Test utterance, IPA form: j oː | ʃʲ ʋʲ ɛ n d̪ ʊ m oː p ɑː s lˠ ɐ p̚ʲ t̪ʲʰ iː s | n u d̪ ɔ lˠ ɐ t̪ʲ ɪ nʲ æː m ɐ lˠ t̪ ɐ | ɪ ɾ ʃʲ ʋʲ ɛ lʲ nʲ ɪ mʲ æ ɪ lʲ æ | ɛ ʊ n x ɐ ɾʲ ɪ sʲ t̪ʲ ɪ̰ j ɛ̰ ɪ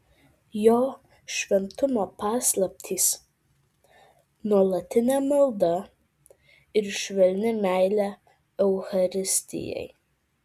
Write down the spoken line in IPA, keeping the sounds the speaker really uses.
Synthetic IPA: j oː | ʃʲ ʋʲ ɛ n t̪ ʊ m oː p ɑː s lˠ ɐ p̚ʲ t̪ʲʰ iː s | n u ɔ lˠ ɐ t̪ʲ ɪ nʲ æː m ɐ lˠ d̪ ɐ | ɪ ɾ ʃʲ ʋʲ ɛ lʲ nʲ ɪ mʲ æ ɪ lʲ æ | ɛ ʊ x ɐ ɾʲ ɪ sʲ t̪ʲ ɪ̰ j ɛ̰ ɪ